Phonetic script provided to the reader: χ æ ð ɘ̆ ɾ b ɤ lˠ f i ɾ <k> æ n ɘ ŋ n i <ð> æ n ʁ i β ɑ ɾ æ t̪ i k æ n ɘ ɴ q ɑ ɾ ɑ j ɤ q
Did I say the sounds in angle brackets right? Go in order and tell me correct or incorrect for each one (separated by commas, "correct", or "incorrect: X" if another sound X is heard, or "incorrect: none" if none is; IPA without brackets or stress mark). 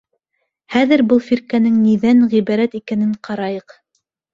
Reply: correct, correct